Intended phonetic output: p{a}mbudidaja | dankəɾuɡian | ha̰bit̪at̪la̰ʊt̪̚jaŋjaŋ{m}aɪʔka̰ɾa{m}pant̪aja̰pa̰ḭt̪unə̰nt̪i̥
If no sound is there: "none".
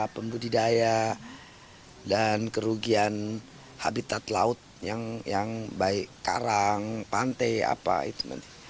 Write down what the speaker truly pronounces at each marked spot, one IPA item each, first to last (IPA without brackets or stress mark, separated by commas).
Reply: ə, b, ŋ